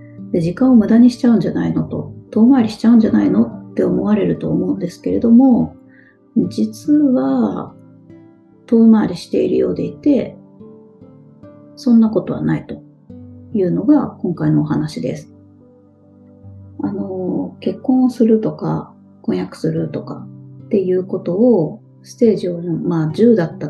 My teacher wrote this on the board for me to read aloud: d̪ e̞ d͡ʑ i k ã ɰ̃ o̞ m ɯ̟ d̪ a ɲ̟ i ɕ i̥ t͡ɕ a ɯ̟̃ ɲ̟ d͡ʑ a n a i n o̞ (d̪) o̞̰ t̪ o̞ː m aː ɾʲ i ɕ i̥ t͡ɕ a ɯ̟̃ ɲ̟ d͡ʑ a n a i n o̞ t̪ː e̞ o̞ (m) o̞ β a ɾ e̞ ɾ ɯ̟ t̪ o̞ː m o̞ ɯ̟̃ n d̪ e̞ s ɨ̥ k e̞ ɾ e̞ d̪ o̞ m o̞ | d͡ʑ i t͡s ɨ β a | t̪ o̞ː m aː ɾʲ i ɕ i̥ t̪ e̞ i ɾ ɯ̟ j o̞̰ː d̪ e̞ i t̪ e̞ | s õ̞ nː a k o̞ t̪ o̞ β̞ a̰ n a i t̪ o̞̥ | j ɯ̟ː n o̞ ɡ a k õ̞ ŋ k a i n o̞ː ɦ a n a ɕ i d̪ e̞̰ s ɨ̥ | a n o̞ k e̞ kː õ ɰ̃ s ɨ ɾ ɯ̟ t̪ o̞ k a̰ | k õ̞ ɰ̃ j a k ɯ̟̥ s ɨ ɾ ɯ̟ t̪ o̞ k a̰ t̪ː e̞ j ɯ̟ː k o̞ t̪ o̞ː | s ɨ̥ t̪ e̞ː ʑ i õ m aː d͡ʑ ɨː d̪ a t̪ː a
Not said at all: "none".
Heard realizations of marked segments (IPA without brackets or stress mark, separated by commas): t̪, m